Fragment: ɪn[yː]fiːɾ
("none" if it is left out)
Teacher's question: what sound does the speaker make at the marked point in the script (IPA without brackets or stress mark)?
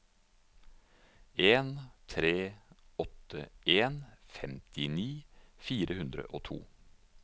iː